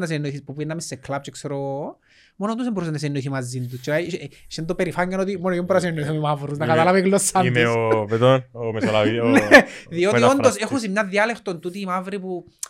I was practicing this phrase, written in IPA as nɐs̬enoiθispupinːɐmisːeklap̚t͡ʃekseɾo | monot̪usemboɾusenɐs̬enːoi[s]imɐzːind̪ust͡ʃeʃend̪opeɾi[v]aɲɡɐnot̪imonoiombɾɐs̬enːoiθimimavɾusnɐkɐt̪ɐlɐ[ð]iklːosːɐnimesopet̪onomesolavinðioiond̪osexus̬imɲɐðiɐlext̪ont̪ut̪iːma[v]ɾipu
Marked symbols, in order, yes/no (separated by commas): no, no, no, yes